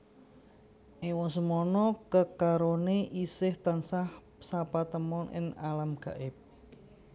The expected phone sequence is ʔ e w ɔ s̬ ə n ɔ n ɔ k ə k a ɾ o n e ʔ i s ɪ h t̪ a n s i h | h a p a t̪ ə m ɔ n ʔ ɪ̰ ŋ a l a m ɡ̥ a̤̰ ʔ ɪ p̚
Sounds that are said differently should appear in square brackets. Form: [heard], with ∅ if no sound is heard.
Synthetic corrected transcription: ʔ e w ɔ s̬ ə [m] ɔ n ɔ k ə k a ɾ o n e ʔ i s ɪ h t̪ a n s [a] h | [s] a p a t̪ ə m ɔ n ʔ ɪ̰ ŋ a l a m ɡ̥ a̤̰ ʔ ɪ p̚

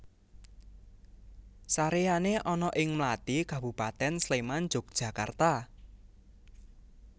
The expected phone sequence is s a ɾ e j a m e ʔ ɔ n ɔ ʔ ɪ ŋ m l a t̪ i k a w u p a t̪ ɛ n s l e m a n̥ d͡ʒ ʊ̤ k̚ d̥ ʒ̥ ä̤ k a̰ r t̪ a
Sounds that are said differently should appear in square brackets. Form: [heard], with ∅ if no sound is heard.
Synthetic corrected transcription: s a ɾ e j a [n] e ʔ ɔ n ɔ ʔ ɪ ŋ m l a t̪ i k a [b] u p a t̪ ɛ n s l e m a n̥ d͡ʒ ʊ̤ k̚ d̥ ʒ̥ ä̤ k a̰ r t̪ a

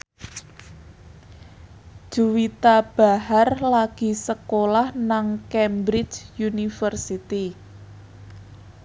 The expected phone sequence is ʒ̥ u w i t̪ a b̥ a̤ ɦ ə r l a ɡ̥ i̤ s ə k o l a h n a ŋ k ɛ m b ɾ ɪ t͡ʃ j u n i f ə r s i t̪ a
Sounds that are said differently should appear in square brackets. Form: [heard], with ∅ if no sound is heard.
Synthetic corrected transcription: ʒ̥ u w i t̪ a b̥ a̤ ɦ [a] r l a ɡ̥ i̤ s ə k o l a h n a ŋ k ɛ m b ɾ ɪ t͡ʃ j u n i f ə r s i t̪ [i]

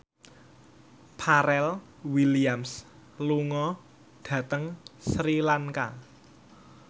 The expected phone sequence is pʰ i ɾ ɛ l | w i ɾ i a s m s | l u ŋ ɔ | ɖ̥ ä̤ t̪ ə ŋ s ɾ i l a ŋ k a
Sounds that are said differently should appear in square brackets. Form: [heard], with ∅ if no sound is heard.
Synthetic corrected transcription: pʰ [a] ɾ ɛ l | w i [l] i a [∅] m s | l u ŋ ɔ | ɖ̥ ä̤ t̪ ə ŋ s ɾ i l a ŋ k a

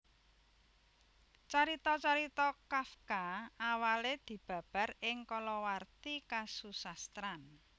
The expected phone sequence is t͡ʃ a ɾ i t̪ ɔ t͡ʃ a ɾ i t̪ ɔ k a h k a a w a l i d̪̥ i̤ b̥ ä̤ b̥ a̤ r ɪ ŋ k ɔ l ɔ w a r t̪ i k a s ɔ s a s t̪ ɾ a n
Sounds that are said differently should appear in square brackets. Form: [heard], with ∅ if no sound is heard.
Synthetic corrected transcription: t͡ʃ a ɾ i t̪ ɔ t͡ʃ a ɾ i t̪ ɔ k a [f] k a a w a l [e] d̪̥ i̤ b̥ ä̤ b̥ a̤ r ɪ ŋ k ɔ l ɔ w a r t̪ i k a s [u] s a s t̪ ɾ a n

